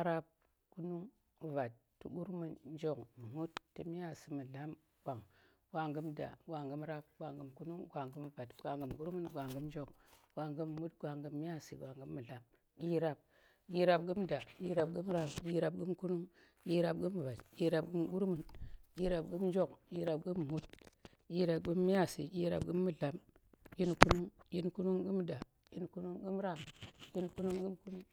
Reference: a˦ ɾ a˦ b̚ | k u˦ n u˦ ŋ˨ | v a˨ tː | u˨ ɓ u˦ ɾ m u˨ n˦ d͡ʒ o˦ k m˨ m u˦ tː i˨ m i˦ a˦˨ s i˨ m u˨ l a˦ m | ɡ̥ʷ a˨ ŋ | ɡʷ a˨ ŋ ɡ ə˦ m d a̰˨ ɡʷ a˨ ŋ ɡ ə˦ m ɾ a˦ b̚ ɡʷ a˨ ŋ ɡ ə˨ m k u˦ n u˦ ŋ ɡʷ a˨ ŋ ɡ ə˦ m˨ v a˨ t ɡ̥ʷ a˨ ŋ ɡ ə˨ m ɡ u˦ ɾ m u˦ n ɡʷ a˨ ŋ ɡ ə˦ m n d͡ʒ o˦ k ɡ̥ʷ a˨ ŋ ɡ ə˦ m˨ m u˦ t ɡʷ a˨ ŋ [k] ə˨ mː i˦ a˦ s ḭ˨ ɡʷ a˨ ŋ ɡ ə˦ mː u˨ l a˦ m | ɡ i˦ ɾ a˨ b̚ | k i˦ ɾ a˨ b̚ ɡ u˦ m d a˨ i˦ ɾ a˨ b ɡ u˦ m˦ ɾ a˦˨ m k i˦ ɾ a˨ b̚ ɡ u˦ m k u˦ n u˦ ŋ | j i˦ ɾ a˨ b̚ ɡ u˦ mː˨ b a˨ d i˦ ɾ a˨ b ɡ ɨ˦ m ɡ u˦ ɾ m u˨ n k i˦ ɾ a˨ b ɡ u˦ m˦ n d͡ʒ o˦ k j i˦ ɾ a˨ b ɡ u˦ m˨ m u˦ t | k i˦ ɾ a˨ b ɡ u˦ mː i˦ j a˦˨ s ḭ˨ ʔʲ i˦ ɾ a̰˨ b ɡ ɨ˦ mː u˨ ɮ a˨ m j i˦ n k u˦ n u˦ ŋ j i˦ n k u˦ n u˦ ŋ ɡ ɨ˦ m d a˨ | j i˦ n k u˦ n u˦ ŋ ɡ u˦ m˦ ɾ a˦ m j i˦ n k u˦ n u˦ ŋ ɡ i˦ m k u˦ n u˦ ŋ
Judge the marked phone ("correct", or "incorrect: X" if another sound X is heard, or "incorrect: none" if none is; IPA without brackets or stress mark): incorrect: ɡ